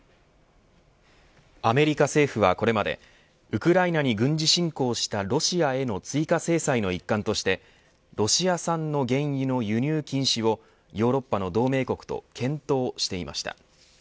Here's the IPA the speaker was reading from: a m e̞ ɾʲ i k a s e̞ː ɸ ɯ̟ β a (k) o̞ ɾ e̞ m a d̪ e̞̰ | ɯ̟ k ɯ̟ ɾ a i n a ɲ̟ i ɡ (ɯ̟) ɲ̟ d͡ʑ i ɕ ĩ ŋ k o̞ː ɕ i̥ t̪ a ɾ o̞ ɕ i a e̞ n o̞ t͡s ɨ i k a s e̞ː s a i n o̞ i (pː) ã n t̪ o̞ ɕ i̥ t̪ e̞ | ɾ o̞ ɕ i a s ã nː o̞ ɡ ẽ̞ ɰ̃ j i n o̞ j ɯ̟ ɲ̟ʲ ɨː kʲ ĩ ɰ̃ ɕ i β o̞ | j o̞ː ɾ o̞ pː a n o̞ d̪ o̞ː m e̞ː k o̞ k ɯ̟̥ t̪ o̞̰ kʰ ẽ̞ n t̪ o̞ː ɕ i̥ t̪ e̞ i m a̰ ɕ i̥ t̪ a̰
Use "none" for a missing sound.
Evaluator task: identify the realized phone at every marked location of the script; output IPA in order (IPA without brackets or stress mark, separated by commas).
k, ɯ̟̃, kː